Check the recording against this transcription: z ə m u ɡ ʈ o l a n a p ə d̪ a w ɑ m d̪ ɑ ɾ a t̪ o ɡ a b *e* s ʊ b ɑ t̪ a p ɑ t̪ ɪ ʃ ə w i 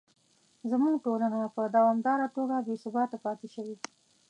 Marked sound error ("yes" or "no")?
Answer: no